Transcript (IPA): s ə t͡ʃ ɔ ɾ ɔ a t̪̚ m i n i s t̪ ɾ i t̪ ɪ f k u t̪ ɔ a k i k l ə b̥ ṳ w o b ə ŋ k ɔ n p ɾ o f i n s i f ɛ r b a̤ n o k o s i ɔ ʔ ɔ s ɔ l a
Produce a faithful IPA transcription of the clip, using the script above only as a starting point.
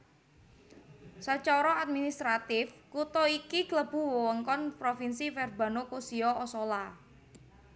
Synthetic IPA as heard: s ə t͡ʃ ɔ ɾ ɔ a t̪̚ m i n i s t̪ ɾ a t̪ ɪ f k u t̪ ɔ i k i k l ə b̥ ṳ w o w ə ŋ k ɔ n p ɾ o f i n s i f ɛ r b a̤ n o k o s i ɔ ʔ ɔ s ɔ l a